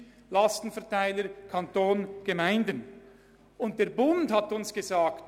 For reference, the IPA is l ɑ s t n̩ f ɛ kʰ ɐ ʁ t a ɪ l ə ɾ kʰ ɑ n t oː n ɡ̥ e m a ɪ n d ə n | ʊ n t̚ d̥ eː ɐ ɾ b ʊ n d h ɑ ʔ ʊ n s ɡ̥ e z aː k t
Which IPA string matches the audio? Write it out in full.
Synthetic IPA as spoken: l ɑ s t n̩ f ɛ ɐ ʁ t a ɪ l ə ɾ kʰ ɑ n t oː n ɡ̥ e m a ɪ n d ə n | ʊ n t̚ d̥ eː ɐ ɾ b ʊ n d h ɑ t ʊ n s ɡ̥ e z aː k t